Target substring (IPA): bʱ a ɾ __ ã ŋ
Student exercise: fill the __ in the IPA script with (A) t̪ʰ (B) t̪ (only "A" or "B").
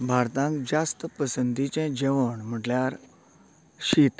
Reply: B